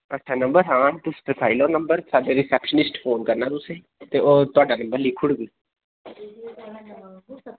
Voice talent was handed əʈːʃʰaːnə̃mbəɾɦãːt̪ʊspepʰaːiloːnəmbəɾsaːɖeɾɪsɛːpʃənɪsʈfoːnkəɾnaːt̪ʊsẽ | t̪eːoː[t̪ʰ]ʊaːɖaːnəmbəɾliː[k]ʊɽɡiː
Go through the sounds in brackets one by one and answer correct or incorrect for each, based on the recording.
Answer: incorrect: t̪, incorrect: kʰ

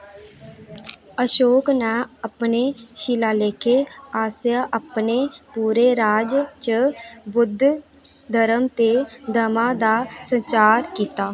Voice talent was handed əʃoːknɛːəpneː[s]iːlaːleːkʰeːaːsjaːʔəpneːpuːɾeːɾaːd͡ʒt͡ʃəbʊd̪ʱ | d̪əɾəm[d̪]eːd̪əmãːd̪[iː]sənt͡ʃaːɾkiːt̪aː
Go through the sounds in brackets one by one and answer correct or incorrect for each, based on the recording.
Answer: incorrect: ʃ, incorrect: t̪, incorrect: aː

